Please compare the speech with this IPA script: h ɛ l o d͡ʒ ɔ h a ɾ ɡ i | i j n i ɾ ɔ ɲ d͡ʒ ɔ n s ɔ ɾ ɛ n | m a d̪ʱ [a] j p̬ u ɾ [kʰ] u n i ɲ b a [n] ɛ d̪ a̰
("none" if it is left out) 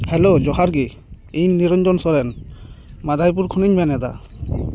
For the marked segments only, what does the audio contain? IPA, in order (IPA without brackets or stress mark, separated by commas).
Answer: a, kʰ, n